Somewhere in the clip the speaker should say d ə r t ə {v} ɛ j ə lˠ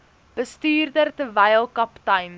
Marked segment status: correct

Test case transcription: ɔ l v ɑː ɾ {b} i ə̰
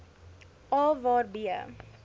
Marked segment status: correct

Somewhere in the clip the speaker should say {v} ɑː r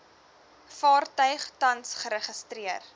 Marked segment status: incorrect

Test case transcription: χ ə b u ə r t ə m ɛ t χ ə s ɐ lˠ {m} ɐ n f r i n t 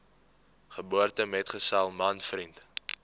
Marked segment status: correct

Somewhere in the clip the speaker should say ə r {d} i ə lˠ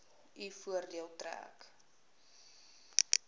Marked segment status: correct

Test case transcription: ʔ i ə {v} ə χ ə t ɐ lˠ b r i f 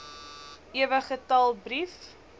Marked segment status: correct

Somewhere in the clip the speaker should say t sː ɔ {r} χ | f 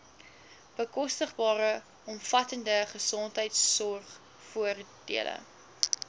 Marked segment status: correct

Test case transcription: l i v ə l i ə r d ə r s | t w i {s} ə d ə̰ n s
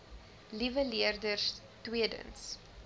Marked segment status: incorrect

